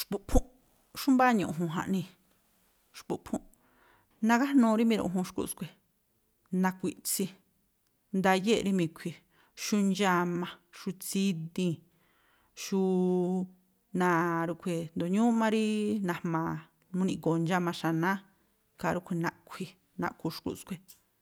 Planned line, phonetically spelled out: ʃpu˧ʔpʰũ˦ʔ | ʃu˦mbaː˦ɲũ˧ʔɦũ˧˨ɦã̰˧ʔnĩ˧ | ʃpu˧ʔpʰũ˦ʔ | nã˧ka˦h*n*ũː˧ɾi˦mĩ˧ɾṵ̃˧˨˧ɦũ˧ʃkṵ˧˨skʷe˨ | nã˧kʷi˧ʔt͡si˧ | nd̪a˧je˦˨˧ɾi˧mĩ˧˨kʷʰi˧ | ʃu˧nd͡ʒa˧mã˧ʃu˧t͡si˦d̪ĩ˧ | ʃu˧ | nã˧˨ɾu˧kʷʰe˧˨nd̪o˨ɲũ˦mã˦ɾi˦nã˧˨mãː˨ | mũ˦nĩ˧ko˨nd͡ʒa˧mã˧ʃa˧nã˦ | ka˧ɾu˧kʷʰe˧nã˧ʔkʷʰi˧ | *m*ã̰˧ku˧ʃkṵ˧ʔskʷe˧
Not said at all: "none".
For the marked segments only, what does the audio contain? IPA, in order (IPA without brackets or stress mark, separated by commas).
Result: n, n